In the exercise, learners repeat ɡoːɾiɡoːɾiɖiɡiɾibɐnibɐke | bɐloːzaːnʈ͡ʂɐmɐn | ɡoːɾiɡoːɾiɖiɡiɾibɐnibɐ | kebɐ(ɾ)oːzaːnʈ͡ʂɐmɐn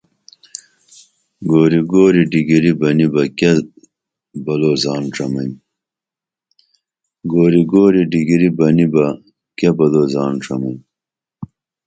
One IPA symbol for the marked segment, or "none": l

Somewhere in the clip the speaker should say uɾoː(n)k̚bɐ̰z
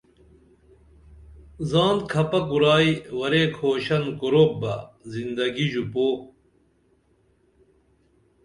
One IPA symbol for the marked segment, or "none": none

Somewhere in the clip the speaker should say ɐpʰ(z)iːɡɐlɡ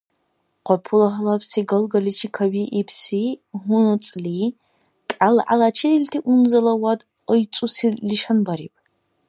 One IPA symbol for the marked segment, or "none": s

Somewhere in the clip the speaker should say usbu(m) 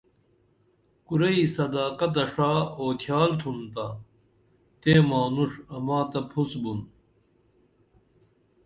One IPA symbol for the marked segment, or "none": n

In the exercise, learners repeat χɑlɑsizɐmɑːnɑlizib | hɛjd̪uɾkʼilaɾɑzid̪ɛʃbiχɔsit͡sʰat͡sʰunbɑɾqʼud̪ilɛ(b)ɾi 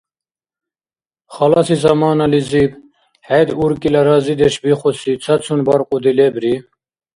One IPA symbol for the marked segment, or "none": b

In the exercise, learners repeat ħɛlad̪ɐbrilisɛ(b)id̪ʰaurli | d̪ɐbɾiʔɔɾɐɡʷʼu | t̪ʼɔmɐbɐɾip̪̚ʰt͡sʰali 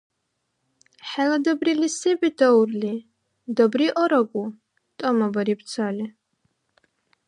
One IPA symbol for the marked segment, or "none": b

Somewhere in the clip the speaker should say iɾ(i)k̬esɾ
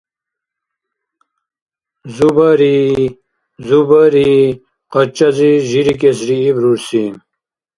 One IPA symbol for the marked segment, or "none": i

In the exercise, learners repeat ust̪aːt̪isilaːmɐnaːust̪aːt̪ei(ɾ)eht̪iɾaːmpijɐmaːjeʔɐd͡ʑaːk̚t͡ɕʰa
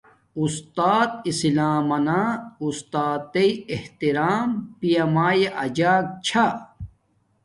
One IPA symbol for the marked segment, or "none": none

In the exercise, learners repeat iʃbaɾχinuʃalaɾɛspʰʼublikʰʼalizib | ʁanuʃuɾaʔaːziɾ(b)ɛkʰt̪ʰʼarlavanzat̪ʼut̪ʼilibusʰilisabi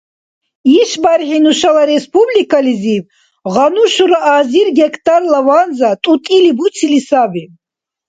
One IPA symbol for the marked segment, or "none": ɡ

